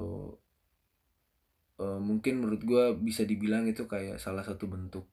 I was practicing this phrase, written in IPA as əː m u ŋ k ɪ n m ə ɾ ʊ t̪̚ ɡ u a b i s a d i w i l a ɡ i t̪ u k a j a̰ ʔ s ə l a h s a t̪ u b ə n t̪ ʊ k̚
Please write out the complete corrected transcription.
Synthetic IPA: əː m u ŋ k ɪ n m ə ɾ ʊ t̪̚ ɡ u a b i s a d i b i l a ŋ i t̪ u k a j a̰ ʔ s a l a h s a t̪ u b ə n t̪ ʊ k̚